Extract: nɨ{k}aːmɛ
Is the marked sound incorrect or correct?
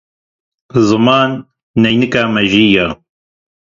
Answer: correct